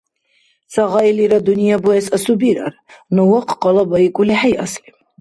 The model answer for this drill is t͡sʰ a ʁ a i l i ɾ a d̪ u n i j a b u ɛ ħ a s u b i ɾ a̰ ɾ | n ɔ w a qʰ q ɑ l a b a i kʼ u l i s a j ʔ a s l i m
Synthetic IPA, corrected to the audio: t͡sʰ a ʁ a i l i ɾ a d̪ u n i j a b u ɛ s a s u b i ɾ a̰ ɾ | n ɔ w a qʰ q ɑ l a b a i kʼ u l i ħ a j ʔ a s l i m